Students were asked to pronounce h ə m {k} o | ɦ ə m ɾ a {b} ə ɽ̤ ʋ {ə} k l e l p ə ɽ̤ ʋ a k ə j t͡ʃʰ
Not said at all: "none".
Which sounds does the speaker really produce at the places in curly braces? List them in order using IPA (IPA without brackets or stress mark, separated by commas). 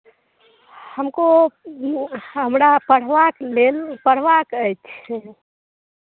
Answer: k, p, a